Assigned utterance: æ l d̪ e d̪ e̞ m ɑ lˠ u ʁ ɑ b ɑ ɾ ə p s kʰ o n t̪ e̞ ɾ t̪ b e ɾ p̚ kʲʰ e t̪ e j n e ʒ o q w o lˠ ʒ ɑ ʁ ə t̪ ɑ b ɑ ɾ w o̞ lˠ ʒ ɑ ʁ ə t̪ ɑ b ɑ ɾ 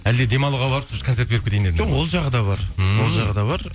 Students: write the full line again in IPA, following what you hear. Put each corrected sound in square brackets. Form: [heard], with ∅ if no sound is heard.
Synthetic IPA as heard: æ l d̪ e d̪ e̞ m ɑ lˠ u ʁ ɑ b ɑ ɾ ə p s kʰ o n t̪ e̞ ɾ t̪ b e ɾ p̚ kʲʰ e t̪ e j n e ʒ o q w o lˠ ʒ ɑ ʁ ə [d̪] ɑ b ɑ ɾ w o̞ lˠ ʒ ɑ ʁ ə [d̪] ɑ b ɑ ɾ